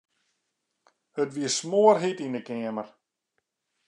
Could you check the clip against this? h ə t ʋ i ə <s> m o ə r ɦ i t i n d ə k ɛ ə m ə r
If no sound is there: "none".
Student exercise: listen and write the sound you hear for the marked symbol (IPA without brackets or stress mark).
s